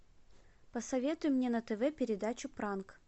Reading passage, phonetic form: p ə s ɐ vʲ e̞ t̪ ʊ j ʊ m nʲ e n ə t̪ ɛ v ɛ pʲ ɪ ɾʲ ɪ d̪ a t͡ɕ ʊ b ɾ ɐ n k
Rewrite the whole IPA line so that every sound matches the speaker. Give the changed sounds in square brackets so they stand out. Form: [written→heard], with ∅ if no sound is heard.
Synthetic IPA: p ə s ɐ vʲ e̞ t̪ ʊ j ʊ m nʲ e n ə t̪ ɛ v ɛ pʲ ɪ ɾʲ ɪ d̪ a t͡ɕ ʊ [b→p] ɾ [ɐ→a] n k